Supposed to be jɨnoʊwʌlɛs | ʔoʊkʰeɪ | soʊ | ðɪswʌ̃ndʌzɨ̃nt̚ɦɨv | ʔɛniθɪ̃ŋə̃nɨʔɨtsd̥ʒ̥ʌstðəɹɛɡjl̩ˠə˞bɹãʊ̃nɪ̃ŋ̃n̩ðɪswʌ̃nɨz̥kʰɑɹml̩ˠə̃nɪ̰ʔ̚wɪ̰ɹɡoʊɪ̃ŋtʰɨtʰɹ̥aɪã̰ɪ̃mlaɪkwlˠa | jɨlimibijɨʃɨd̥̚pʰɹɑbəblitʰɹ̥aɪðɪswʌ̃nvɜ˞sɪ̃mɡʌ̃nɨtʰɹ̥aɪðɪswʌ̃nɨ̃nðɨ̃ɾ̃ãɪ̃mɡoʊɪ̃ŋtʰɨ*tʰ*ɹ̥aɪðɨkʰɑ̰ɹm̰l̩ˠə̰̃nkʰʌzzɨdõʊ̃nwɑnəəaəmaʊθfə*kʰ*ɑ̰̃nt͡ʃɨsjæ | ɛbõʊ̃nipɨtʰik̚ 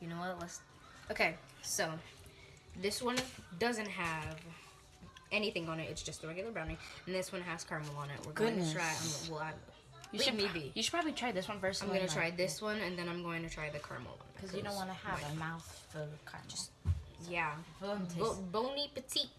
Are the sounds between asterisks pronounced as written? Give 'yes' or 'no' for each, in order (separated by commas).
yes, yes